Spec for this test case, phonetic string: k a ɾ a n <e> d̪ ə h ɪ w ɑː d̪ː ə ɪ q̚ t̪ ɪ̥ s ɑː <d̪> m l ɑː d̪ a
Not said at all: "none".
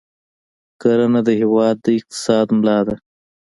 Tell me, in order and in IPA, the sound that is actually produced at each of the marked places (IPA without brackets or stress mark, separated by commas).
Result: a, d̪